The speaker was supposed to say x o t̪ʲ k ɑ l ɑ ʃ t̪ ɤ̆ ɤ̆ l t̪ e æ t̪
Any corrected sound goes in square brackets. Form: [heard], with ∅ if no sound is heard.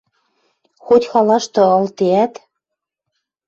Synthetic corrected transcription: x o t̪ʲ [x] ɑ l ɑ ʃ t̪ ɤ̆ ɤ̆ l t̪ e æ t̪